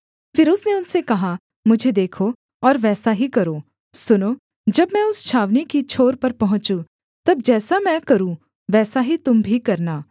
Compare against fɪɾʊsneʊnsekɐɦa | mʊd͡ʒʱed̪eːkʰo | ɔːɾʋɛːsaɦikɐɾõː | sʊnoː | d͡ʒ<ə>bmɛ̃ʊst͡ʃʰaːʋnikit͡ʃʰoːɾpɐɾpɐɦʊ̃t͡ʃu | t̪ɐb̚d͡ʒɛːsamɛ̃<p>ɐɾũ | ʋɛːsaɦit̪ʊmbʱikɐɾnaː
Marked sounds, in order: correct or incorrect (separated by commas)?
incorrect, incorrect